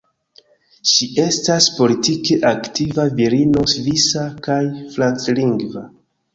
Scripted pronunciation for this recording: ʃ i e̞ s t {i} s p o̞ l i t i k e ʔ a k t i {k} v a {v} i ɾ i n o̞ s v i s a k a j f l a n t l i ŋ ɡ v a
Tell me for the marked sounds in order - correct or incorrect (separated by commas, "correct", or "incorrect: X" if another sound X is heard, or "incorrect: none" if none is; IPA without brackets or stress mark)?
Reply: incorrect: a, incorrect: none, correct